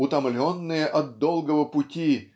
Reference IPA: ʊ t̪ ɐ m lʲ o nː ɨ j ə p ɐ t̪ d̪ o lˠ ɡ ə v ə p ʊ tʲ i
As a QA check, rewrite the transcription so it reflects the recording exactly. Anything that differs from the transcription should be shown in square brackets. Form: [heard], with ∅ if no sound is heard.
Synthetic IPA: ʊ t̪ ɐ m lʲ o nː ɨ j ə [ʔ] ɐ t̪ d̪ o lˠ ɡ ə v ə p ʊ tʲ i